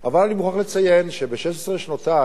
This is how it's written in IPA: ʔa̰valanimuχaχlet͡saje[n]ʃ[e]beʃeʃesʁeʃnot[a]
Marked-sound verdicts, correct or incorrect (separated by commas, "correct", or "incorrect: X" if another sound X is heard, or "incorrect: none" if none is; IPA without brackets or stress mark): correct, correct, correct